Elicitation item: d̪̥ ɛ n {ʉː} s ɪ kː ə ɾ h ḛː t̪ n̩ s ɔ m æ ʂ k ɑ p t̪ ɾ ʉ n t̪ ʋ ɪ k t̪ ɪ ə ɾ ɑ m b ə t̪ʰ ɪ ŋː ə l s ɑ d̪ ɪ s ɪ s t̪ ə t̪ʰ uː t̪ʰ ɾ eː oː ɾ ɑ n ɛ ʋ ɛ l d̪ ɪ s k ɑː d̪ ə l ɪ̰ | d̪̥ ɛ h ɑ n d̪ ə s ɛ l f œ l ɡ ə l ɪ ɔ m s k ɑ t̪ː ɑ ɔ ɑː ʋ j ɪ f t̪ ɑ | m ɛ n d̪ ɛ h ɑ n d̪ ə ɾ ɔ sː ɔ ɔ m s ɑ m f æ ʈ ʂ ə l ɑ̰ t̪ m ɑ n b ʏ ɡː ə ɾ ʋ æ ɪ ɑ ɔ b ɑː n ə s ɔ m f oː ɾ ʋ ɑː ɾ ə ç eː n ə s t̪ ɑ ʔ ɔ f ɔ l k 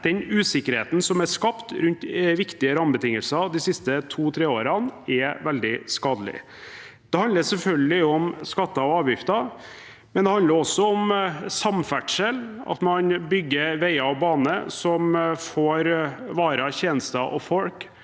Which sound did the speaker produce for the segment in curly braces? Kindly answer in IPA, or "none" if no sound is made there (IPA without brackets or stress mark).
ʉː